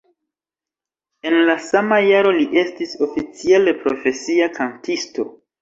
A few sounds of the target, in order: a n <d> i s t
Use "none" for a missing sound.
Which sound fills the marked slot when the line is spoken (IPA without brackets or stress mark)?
t